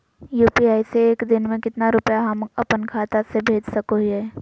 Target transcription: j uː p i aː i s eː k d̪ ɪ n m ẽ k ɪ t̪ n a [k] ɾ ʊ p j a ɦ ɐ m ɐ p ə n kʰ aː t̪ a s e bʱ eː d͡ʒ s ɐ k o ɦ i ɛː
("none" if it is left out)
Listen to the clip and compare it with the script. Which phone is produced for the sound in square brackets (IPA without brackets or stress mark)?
none